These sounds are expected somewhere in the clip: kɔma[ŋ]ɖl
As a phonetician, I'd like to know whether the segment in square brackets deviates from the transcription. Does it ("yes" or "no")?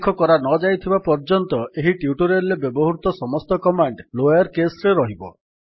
yes